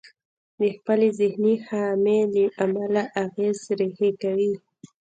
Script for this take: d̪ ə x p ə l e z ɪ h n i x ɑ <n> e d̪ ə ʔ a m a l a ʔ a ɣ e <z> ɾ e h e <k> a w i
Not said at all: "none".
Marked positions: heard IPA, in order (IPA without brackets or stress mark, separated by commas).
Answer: m, z, k